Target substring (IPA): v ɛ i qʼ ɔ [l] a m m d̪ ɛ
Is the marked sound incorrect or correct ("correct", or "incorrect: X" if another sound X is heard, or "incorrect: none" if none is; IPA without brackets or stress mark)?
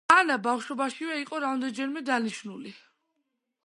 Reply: incorrect: ɾ